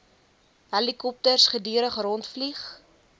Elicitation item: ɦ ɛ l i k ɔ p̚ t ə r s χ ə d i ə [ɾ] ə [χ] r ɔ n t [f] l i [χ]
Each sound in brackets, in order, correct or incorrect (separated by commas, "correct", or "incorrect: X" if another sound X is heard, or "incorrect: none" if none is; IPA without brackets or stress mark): correct, correct, correct, correct